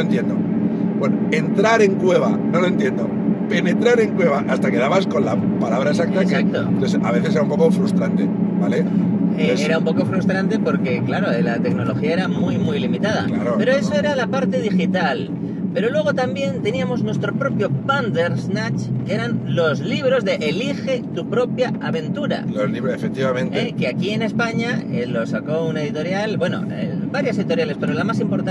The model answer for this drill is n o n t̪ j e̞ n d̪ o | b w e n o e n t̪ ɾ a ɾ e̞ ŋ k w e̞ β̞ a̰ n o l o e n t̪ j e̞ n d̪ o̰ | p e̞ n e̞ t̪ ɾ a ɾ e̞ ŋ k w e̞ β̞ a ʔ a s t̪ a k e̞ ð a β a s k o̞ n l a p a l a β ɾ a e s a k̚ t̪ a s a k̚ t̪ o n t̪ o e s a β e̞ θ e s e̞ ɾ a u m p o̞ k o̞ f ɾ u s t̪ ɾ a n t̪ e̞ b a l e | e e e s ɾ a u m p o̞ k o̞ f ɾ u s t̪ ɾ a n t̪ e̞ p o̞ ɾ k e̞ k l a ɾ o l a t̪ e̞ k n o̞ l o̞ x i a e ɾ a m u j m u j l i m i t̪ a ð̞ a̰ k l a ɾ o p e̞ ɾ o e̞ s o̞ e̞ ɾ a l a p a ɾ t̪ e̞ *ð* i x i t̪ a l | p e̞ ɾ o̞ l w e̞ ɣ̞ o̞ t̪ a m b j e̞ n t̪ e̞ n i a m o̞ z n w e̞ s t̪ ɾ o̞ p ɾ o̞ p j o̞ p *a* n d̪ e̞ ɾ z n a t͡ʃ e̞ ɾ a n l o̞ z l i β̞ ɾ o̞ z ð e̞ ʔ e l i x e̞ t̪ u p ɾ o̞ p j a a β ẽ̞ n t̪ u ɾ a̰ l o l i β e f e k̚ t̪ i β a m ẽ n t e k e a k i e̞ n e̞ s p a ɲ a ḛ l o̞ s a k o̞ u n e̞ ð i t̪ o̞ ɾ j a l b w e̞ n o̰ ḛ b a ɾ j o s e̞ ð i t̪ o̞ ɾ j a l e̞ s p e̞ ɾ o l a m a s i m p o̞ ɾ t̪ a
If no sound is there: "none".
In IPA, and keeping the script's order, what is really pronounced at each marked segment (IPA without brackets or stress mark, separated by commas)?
ð, a